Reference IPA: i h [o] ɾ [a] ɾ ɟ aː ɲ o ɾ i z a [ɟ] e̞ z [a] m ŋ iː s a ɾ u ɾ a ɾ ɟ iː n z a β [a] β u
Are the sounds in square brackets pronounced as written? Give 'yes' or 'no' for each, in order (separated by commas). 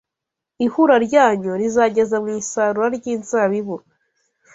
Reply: no, yes, yes, yes, no